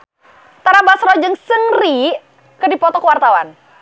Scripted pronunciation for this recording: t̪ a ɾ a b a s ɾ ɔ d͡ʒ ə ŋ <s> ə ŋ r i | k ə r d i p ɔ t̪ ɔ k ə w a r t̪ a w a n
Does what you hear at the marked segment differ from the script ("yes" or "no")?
no